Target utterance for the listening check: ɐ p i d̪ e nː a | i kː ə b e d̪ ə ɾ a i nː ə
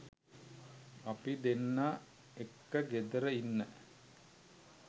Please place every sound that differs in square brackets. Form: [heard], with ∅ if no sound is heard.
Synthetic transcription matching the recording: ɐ p i d̪ e nː a | [e] kː ə [ɡ] e d̪ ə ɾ [ə] i nː ə